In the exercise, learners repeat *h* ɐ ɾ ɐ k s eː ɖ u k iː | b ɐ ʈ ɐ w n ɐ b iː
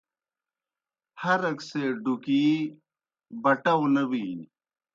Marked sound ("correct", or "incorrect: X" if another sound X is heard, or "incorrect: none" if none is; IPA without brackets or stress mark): correct